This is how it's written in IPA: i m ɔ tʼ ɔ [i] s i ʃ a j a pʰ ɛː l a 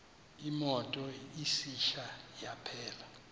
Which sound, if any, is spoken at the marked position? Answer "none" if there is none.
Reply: i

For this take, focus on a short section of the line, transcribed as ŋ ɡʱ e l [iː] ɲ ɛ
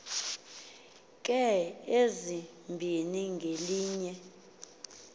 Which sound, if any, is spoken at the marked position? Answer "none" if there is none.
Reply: iː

